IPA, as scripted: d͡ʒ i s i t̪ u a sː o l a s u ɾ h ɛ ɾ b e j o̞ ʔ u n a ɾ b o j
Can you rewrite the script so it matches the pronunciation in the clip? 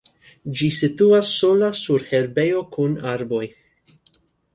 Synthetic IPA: d͡ʒ i s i t̪ u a sː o l a s u ɾ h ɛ ɾ b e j o̞ k u n a ɾ b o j

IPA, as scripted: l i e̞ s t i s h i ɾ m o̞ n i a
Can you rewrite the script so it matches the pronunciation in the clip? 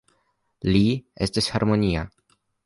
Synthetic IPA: l i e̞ s t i s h a ɾ m o̞ n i a

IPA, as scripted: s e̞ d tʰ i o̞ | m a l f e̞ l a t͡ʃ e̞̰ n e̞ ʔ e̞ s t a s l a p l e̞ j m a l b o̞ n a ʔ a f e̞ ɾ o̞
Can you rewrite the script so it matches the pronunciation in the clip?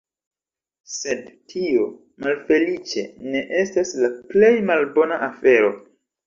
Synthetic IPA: s e̞ d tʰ i o̞ | m a l f e̞ l i t͡ʃ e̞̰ n e̞ ʔ e̞ s t a s l a p l e̞ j m a l b o̞ n a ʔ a f e̞ ɾ o̞

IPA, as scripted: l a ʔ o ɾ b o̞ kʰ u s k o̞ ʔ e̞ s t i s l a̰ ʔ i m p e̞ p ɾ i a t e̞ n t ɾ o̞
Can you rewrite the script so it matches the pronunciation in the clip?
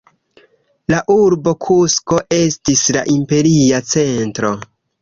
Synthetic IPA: l a ʔ u ɾ b o̞ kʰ u s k o̞ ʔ e̞ s t i s l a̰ ʔ i m p e̞ ɾ i a t͡s e̞ n t ɾ o̞

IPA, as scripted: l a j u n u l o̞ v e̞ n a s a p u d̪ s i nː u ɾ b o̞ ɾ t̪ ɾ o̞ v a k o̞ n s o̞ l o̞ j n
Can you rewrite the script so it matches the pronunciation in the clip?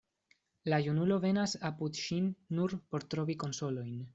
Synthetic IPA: l a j u n u l o̞ v e̞ n a s a p u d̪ ʃ i nː u ɾ p o̞ ɾ t̪ ɾ o̞ v i k o̞ n s o̞ l o̞ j n

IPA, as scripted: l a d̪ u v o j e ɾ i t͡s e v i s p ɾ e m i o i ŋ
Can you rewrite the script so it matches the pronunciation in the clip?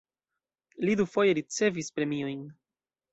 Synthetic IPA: l i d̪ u f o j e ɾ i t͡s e v i s p ɾ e m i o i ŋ

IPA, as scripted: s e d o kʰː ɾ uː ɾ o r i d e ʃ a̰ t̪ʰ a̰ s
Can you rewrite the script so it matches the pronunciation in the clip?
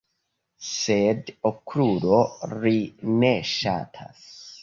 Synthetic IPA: s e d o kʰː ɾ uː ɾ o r i n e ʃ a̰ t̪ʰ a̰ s

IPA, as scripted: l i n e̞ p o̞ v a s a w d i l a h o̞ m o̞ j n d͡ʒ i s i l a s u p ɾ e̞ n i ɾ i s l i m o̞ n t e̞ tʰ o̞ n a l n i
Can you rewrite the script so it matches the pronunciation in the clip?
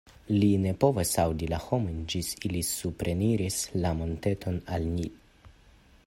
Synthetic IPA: l i n e̞ p o̞ v a s a w d i l a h o̞ m o̞ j n d͡ʒ i s i l i s u p ɾ e̞ n i ɾ i s l a m o̞ n t e̞ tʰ o̞ n a l n i

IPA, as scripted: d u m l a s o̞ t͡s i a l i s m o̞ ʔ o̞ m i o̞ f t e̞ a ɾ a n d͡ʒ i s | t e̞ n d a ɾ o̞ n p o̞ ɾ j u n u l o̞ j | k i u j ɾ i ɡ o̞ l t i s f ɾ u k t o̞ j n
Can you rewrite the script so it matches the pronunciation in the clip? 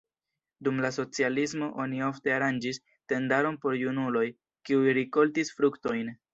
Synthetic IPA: d u m l a s o̞ t͡s i a l i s m o̞ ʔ o̞ n i o̞ f t e̞ a ɾ a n d͡ʒ i s | t e̞ n d a ɾ o̞ n p o̞ ɾ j u n u l o̞ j | k i u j ɾ i k o̞ l t i s f ɾ u k t o̞ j n

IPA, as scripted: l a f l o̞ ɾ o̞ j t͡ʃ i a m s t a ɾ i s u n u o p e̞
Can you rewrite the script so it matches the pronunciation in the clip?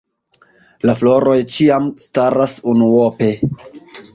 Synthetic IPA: l a f l o̞ ɾ o̞ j t͡ʃ i a m s t a ɾ a s u n u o p e̞

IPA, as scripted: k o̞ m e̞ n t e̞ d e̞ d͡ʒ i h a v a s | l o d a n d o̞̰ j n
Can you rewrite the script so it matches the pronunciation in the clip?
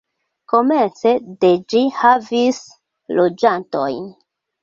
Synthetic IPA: k o̞ m e̞ n t͡s e̞ d e̞ d͡ʒ i h a v i s | l o d͡ʒ a n t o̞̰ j n

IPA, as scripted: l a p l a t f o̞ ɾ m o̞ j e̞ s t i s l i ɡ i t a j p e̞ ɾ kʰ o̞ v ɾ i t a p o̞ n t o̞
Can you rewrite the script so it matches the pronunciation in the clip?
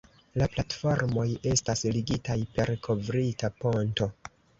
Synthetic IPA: l a p l a t f o̞ ɾ m o̞ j e̞ s t a s l i ɡ i t a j p e̞ ɾ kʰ o̞ v ɾ i t a p o̞ n t o̞

